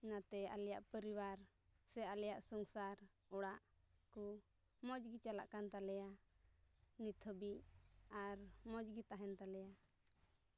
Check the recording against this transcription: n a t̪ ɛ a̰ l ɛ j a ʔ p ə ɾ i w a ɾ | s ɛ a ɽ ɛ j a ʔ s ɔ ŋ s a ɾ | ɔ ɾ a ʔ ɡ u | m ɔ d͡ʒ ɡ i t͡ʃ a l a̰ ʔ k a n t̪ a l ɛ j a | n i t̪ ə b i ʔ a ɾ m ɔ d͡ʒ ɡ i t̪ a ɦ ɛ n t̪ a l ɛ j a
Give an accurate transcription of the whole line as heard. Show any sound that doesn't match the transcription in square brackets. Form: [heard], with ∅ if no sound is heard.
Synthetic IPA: n a t̪ ɛ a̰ l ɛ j a ʔ p ə ɾ i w a ɾ | s ɛ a [l] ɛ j a ʔ s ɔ ŋ s a ɾ | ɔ [ɽ] a ʔ [k] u | m ɔ d͡ʒ ɡ i t͡ʃ a l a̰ ʔ k a n t̪ a l ɛ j a | n i [t̪ʰ] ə b i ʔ a ɾ m ɔ d͡ʒ ɡ i t̪ a ɦ ɛ n t̪ a l ɛ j a